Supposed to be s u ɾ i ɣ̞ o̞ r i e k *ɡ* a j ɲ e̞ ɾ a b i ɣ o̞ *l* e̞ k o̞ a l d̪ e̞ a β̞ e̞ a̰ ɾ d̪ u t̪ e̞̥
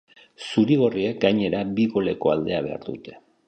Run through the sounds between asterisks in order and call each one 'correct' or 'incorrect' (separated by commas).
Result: correct, correct